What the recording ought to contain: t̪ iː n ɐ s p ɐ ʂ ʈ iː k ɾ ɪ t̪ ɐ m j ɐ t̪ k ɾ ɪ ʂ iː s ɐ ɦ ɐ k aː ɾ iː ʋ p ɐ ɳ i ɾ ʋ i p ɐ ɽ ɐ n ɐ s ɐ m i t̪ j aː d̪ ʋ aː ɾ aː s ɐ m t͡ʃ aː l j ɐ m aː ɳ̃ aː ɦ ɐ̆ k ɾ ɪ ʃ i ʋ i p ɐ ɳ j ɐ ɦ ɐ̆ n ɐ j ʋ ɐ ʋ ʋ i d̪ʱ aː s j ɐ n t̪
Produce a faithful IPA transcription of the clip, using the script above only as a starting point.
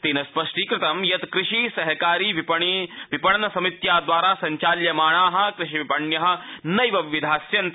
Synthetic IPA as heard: t̪ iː n ɐ s p ɐ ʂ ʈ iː k ɾ ɪ t̪ ɐ m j ɐ t̪ k ɾ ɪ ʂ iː s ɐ ɦ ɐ k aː ɾ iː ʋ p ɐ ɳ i ʋ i p ɐ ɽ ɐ n ɐ s ɐ m i t̪ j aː d̪ ʋ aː ɾ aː s ɐ ɲ t͡ʃ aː l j ɐ m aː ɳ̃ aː ɦ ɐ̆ k ɾ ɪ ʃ i ʋ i p ɐ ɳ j ɐ ɦ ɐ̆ n ɐ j ʋ ɐ ʋ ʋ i d̪ʱ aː s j ɐ n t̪